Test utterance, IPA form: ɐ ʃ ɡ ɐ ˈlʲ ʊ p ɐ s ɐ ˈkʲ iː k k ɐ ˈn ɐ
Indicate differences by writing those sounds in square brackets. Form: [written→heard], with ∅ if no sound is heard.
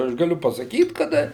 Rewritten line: ɐ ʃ ɡ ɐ ˈlʲ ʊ p ɐ s ɐ ˈkʲ iː [k→t] k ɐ [ˈn→ˈd] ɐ